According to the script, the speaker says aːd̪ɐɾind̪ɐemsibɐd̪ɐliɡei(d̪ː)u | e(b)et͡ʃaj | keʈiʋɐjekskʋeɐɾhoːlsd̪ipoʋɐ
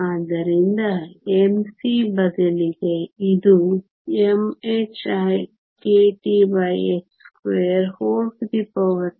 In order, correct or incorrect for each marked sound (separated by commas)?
incorrect, incorrect